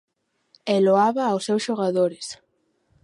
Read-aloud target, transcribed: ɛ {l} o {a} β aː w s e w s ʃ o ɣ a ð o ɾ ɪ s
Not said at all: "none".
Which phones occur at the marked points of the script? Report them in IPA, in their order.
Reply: l, a

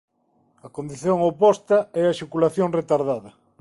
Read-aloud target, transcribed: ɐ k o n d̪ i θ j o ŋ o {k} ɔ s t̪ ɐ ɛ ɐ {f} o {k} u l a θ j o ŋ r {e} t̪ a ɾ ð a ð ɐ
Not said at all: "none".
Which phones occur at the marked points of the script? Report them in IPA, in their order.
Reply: p, ʃ, k, e

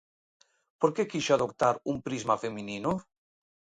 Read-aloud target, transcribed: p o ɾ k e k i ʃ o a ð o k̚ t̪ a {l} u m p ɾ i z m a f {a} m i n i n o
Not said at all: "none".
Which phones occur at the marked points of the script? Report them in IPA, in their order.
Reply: ɾ, e

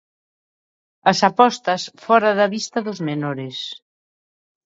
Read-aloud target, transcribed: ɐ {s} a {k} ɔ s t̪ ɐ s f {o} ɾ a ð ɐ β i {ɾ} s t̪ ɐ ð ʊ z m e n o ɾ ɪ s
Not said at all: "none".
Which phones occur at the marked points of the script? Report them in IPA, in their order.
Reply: s, p, ɔ, none

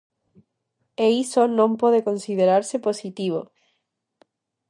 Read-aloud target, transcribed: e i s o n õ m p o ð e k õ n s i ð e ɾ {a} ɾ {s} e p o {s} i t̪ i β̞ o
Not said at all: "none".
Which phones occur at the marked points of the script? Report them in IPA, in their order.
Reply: a, s, s

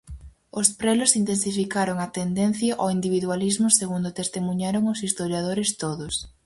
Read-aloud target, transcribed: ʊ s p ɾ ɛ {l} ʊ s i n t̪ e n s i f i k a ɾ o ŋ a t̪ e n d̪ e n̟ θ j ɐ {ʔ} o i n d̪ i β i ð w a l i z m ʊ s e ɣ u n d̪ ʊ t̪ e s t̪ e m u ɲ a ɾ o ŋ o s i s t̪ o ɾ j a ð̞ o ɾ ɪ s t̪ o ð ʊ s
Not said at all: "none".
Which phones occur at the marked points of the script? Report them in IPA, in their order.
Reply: l, ʔ

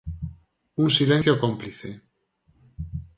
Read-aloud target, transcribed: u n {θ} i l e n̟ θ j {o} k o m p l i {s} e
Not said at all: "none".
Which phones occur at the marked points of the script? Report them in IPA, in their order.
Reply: s, o, θ

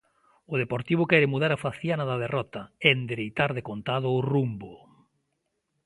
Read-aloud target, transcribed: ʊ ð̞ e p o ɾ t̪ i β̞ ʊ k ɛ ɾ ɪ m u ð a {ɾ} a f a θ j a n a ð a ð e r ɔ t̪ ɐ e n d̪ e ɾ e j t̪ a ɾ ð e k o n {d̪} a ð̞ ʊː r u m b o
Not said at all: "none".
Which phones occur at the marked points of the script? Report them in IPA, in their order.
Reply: ɾ, t̪

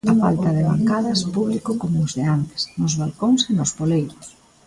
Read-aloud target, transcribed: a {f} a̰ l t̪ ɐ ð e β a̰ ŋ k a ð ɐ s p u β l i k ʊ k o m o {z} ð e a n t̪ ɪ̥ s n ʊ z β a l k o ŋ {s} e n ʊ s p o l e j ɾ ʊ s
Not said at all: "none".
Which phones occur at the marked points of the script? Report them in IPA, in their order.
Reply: f, z, s

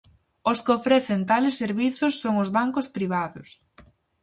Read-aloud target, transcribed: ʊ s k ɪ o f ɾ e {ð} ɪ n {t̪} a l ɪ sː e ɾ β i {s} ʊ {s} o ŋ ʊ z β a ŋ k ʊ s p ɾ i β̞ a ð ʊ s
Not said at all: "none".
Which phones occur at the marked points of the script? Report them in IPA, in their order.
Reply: θ, t̪, θ, sː

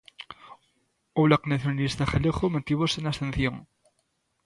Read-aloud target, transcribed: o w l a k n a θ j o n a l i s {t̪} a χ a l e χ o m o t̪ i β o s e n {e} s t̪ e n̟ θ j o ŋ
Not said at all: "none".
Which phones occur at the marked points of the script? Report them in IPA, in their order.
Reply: t̪, a

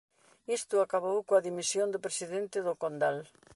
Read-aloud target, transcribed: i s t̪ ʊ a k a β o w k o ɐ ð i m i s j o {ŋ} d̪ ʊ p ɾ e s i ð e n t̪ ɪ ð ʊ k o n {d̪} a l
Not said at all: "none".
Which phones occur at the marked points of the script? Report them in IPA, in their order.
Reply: n, d̪

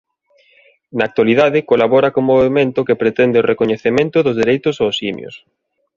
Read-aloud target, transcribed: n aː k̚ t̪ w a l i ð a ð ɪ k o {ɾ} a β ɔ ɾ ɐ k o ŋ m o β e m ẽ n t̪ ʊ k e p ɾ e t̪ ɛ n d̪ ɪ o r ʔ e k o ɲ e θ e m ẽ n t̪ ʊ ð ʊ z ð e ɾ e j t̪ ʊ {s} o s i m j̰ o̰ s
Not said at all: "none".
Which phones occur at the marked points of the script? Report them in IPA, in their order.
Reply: l, s

